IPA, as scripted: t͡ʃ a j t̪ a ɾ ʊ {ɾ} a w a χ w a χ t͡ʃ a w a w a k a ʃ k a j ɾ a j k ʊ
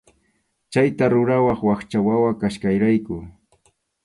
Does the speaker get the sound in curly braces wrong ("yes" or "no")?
no